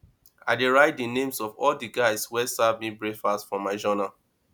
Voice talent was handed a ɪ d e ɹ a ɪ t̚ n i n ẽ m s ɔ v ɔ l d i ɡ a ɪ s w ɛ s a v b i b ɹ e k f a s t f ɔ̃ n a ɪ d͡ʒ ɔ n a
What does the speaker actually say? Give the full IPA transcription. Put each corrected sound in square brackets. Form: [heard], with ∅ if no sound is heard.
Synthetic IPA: a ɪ d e ɹ a ɪ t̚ [d] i n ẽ m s ɔ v ɔ l d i ɡ a ɪ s w ɛ s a v [m] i b ɹ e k f a s t f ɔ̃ [m] a ɪ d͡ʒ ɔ n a